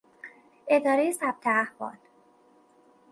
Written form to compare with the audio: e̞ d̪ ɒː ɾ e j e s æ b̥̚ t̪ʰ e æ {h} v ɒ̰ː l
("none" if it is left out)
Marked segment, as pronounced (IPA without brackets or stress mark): h